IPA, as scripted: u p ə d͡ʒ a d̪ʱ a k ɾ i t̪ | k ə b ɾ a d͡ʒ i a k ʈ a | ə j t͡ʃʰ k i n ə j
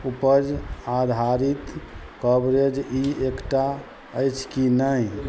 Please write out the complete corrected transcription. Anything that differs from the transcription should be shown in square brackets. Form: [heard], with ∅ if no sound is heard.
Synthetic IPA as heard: u p ə d͡ʒ a d̪ʱ a [∅] ɾ i t̪ | k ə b ɾ [e] d͡ʒ i [e] k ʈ a | ə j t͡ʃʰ k i n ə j